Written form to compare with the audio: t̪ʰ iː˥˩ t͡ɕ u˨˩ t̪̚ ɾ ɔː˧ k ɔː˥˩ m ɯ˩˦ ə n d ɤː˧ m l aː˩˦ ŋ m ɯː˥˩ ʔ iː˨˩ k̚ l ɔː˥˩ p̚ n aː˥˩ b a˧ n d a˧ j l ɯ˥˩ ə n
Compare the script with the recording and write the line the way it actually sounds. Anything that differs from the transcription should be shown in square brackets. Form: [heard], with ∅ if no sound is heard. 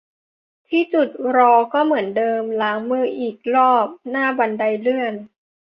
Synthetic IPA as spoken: t̪ʰ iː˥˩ t͡ɕ u˨˩ t̪̚ ɾ ɔː˧ k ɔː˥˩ m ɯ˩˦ ə n d ɤː˧ m l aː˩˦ ŋ m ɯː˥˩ ʔ iː˨˩ k̚ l ɔː˥˩ p̚ n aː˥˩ b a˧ n d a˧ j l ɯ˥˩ ə n